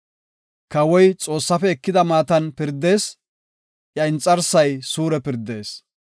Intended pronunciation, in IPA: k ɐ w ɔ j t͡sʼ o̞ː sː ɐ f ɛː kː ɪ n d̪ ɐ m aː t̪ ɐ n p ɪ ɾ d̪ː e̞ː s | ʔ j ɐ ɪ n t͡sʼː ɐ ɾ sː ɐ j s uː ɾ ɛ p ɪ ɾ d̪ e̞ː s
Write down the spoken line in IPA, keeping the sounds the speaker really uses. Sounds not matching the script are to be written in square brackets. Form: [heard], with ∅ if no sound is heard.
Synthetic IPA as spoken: k ɐ w ɔ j t͡sʼ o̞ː sː ɐ f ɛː kː ɪ [∅] d̪ ɐ m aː t̪ ɐ n p ɪ ɾ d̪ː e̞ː s | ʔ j ɐ ɪ n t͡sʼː ɐ ɾ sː ɐ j s uː ɾ ɛ p ɪ ɾ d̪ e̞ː s